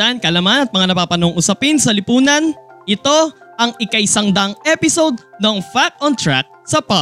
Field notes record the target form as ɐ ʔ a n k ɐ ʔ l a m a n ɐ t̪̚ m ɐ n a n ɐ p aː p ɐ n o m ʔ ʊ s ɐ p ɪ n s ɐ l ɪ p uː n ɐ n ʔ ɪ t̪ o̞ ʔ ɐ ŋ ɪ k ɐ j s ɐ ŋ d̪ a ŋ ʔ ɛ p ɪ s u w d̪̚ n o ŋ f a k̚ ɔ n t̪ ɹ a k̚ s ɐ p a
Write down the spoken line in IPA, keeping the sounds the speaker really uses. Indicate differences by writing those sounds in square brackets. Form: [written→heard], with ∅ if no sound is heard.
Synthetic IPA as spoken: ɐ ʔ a n k ɐ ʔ l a m a n ɐ t̪̚ m ɐ [n→ŋ] a n ɐ p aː p ɐ n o [m→ŋ] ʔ ʊ s ɐ p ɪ n s ɐ l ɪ p uː n ɐ n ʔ ɪ t̪ o̞ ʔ ɐ ŋ ɪ k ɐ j s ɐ ŋ d̪ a ŋ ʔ ɛ p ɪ s [u→o] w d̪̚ n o ŋ f a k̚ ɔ n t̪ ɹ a k̚ s ɐ p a